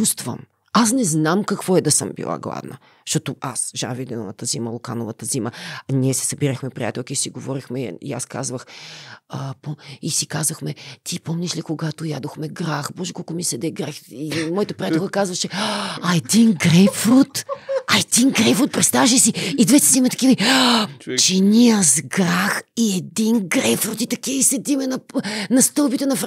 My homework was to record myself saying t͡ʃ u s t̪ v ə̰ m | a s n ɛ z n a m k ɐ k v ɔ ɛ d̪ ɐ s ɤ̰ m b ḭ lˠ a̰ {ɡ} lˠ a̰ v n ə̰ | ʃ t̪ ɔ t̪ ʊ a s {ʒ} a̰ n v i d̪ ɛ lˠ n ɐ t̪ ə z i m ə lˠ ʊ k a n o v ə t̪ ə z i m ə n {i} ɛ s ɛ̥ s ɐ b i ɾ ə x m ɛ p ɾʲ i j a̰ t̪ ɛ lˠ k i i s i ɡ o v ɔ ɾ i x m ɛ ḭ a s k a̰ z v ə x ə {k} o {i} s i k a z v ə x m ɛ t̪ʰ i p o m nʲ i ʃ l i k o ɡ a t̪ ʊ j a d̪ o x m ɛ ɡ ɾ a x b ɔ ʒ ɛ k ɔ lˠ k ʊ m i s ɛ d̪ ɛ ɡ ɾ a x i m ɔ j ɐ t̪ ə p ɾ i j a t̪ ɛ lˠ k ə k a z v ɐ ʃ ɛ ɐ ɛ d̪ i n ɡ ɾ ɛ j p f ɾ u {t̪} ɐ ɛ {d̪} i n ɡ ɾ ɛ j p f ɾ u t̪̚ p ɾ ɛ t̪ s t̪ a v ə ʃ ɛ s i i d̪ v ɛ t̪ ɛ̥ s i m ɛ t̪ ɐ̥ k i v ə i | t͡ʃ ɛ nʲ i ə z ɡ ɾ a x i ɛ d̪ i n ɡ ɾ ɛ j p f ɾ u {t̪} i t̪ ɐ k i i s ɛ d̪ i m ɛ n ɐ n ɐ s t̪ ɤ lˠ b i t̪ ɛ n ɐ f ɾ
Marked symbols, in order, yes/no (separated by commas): yes, yes, yes, no, yes, yes, yes, yes